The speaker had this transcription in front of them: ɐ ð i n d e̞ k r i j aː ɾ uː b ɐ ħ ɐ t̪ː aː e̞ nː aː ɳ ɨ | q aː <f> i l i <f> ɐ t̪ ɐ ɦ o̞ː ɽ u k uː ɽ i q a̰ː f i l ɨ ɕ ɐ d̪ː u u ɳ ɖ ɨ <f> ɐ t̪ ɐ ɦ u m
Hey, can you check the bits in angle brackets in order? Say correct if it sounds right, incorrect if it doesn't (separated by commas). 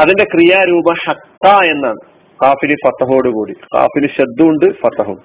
correct, correct, correct